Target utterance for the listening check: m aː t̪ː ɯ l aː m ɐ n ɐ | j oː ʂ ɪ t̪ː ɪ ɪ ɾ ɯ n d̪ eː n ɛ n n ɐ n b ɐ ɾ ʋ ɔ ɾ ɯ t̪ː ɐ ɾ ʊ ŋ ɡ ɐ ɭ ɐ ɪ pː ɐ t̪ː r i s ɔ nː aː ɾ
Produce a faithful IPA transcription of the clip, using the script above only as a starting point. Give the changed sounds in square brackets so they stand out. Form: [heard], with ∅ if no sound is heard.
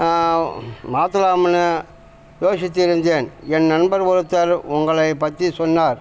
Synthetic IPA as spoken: m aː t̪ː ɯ l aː m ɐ n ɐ | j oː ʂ ɪ t̪ː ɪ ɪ ɾ ɯ n d̪ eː n ɛ n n ɐ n b ɐ ɾ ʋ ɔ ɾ ɯ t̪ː ɐ ɾ ʊ ŋ ɡ ɐ ɭ ɐ ɪ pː ɐ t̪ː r i s ɔ nː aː ɾ